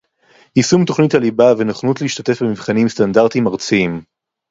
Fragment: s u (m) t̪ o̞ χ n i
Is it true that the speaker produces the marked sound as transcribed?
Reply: yes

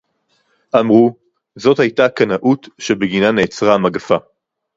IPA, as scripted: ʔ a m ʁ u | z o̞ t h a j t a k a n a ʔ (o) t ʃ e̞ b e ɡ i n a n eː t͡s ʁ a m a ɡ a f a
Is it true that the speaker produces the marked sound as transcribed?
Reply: no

